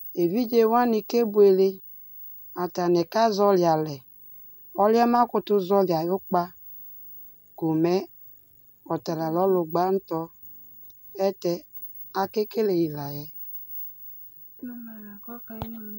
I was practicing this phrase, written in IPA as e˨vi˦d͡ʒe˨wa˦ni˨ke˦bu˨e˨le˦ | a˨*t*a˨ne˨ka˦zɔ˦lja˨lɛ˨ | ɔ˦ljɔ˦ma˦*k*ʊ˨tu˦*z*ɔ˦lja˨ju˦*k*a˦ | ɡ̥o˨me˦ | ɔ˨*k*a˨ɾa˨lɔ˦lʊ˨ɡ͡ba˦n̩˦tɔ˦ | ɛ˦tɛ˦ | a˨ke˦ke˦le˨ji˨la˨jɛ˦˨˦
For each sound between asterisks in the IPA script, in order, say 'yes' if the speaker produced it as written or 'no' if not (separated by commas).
yes, yes, yes, no, no